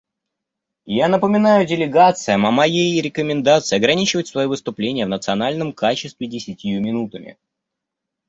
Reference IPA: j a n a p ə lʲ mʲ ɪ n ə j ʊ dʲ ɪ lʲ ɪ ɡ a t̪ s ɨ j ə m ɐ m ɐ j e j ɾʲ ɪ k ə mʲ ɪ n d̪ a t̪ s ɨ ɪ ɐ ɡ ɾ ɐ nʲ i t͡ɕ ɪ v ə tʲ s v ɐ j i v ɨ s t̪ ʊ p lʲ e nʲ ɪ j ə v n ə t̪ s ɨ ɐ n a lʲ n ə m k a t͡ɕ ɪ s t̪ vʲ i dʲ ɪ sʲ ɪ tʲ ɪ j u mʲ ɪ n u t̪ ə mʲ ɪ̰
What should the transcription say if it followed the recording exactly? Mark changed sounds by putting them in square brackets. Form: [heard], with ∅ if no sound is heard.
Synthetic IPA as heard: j a n [ə] p ə [∅] mʲ ɪ n [a] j ʊ dʲ ɪ lʲ ɪ ɡ a t̪ s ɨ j ə m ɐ m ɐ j e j ɾʲ ɪ k ə mʲ ɪ n d̪ a t̪ s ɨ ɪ ɐ ɡ ɾ ɐ nʲ i t͡ɕ ɪ v ə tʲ s v ɐ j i v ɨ s t̪ ʊ p lʲ e nʲ ɪ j ə v n ə t̪ s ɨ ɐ n a lʲ n ə m k a t͡ɕ ɪ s t̪ vʲ [ɪ] dʲ ɪ sʲ ɪ tʲ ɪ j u mʲ ɪ n u t̪ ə mʲ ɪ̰

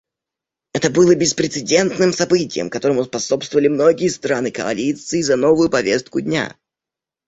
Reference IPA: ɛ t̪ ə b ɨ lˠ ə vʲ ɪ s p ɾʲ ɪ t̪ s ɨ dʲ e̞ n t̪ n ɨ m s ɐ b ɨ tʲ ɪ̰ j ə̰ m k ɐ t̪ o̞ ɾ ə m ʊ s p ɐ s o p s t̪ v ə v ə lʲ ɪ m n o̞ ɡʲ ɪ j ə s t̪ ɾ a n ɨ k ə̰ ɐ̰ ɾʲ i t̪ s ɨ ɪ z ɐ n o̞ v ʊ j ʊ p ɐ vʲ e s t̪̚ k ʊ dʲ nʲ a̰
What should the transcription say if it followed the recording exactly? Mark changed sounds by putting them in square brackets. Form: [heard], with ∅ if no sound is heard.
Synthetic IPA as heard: ɛ t̪ ə b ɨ lˠ ə [bʲ] ɪ s p ɾʲ ɪ t̪ s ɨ dʲ e̞ n t̪ n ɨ m s ɐ b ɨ tʲ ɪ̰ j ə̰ m k ɐ t̪ o̞ ɾ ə m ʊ s p ɐ s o p s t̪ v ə v ə lʲ ɪ m n o̞ ɡʲ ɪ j ə s t̪ ɾ a n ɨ k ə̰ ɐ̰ [lʲ] i t̪ s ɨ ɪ z ɐ n o̞ v ʊ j ʊ p ɐ vʲ e s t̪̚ k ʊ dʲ nʲ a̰

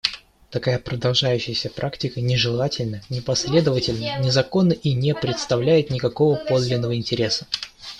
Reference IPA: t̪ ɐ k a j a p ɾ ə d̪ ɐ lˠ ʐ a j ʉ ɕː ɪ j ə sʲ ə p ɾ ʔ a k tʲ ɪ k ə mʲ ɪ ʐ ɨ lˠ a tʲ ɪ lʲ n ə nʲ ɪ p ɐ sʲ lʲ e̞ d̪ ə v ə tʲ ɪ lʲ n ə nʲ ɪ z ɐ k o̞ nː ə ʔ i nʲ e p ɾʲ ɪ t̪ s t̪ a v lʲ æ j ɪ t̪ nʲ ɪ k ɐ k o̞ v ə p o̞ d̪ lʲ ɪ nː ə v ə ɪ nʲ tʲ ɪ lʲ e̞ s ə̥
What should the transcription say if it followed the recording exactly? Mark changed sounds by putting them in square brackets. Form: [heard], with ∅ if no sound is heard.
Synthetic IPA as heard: t̪ ɐ k a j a p ɾ ə d̪ ɐ lˠ ʐ a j ʉ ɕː ɪ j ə sʲ ə p ɾ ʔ a k tʲ ɪ k ə [nʲ] ɪ ʐ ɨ lˠ a tʲ ɪ lʲ n ə nʲ ɪ p ɐ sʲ lʲ e̞ d̪ ə v ə tʲ ɪ lʲ n ə nʲ ɪ z ɐ k o̞ nː ə ʔ i nʲ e p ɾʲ ɪ t̪ s t̪ [ɐ] v lʲ æ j ɪ t̪ nʲ ɪ k ɐ k o̞ v ə p o̞ d̪ lʲ ɪ nː ə v ə ɪ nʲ tʲ ɪ [ɾʲ] e̞ s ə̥

